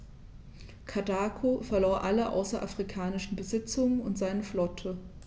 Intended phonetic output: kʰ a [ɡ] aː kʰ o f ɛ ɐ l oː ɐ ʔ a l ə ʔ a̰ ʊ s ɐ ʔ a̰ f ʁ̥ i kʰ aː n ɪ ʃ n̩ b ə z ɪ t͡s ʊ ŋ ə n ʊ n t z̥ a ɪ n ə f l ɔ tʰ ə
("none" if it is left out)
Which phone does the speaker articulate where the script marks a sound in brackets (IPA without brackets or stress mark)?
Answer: d